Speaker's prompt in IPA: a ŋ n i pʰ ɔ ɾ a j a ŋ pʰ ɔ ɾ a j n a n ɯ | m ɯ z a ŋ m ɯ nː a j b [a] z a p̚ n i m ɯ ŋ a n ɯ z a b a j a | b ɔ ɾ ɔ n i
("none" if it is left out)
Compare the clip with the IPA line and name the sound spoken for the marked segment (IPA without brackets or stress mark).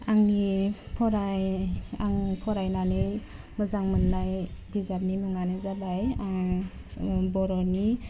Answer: i